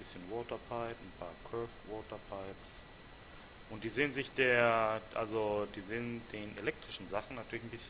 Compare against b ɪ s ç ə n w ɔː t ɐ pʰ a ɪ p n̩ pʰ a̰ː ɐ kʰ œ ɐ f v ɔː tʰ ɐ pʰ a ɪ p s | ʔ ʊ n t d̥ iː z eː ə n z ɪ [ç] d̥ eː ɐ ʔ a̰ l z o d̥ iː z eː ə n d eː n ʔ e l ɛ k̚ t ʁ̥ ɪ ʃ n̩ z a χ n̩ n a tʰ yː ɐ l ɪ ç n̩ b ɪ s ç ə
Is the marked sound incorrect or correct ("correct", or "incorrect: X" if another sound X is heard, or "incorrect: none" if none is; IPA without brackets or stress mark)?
correct